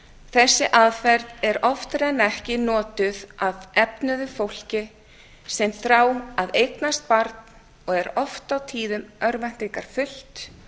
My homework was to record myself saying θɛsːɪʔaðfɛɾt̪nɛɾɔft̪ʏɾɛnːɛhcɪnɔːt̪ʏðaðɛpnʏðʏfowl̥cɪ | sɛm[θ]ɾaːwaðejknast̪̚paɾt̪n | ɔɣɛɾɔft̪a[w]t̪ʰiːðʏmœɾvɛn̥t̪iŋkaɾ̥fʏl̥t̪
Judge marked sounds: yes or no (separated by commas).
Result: yes, yes